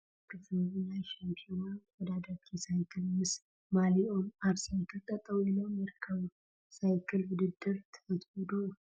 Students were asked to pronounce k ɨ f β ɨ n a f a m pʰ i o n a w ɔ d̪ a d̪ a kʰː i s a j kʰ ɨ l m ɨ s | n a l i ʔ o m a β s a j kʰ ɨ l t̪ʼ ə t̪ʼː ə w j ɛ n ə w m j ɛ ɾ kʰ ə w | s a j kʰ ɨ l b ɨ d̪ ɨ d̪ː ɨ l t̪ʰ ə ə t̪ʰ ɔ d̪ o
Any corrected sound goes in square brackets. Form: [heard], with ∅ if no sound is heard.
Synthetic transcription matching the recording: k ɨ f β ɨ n a [ʃ] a m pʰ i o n a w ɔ d̪ a d̪ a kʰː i s a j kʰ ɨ l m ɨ s | [m] a l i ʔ o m a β s a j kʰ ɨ l t̪ʼ ə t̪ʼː ə w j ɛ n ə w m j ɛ ɾ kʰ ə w | s a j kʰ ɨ l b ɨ d̪ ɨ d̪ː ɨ [ɾ] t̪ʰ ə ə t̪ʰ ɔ d̪ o